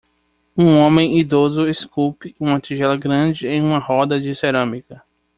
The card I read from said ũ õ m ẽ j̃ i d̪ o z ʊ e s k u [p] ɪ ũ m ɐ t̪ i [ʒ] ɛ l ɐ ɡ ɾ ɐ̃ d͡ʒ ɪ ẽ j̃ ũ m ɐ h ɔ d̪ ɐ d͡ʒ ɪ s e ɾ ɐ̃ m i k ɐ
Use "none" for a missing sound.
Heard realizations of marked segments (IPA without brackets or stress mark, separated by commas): p, ʒ